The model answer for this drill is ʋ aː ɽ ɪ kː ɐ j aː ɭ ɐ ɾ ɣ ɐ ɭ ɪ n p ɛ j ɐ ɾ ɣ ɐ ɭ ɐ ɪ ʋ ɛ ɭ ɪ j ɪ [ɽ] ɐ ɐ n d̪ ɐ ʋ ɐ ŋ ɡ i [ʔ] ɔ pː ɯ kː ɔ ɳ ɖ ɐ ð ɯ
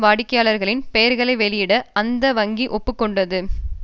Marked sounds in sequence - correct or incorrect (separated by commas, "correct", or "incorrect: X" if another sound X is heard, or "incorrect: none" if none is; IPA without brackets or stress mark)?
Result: correct, correct